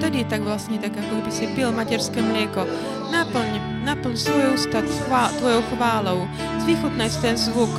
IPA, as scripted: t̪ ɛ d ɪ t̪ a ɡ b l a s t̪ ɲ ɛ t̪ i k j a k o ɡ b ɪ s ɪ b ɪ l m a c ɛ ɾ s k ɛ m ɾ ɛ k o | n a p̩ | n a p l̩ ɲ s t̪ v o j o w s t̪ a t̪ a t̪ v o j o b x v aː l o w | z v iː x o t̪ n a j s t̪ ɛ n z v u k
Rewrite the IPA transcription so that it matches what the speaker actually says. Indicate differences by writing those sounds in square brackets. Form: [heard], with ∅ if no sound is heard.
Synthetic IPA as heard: t̪ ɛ d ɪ t̪ a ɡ [v] l a s t̪ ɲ ɛ t̪ [a] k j a k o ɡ b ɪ s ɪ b ɪ l m a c ɛ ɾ s k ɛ m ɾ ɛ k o | n a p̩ | n a p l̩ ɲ s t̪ v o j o w s t̪ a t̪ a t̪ v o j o [w] x v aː l o w | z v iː x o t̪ n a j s t̪ ɛ n z v u k